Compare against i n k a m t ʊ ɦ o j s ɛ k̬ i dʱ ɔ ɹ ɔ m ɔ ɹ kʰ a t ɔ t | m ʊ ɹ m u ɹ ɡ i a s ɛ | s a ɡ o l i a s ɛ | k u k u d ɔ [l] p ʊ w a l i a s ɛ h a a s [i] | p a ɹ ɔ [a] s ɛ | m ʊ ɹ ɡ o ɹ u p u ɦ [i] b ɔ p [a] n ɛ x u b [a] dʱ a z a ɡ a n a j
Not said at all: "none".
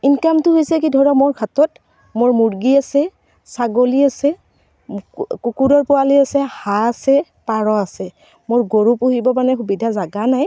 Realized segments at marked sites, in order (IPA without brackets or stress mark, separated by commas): ɹ, ɛ, a, i, a, i